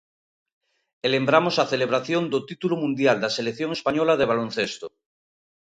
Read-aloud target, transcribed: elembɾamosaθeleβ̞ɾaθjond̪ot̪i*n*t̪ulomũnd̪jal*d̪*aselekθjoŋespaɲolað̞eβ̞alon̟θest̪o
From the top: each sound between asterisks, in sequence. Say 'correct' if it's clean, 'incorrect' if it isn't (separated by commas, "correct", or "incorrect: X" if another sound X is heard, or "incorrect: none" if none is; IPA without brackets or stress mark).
incorrect: none, correct